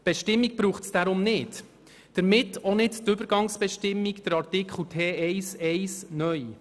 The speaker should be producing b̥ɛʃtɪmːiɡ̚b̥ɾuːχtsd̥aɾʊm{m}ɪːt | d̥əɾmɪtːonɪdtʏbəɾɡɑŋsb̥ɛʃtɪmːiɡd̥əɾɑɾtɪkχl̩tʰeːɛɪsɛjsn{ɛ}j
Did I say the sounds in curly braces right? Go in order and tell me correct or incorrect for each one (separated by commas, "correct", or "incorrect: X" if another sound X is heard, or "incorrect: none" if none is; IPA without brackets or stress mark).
incorrect: n, incorrect: œ